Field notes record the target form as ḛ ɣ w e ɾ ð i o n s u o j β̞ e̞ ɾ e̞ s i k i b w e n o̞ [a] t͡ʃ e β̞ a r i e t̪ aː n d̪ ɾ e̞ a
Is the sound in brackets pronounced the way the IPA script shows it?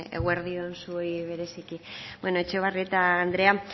no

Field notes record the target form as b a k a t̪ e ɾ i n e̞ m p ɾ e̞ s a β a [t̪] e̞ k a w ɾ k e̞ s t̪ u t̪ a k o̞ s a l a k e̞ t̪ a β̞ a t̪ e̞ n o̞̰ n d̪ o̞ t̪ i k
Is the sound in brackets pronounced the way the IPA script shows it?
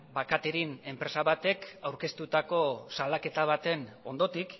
yes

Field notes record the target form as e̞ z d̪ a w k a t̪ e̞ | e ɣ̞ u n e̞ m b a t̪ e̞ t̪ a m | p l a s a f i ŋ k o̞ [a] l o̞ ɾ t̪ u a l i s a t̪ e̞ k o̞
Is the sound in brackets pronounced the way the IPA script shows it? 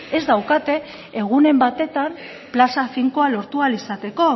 yes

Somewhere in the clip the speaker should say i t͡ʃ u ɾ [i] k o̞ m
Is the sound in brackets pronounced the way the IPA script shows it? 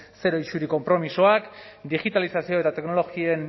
yes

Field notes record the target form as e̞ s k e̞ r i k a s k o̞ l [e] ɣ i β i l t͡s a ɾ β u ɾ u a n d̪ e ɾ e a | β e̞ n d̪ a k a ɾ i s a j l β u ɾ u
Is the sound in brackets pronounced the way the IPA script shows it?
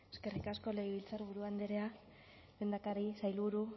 yes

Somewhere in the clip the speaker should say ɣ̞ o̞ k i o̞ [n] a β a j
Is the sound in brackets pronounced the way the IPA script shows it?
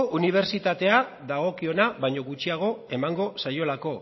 yes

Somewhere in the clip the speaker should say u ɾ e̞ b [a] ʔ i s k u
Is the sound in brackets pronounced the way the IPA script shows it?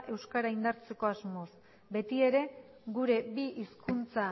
no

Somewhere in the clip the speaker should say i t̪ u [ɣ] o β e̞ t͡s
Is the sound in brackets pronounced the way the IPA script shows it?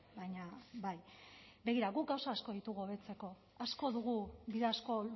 yes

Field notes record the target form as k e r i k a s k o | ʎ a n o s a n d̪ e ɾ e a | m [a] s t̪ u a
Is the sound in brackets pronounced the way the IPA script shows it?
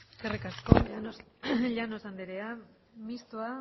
no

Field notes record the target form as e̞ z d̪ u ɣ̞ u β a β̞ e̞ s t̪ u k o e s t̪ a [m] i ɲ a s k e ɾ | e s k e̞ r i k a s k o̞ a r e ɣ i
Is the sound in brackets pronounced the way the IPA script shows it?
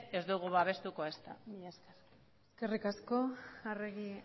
yes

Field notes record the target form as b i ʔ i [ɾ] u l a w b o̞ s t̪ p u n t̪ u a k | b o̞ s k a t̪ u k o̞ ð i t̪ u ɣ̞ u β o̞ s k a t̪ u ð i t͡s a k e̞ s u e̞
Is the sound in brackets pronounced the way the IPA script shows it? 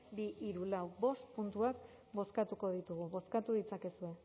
yes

